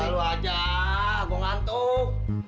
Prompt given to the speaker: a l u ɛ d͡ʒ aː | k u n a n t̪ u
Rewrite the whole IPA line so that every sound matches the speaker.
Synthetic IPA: a l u a d͡ʒ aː | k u ŋ a n t̪ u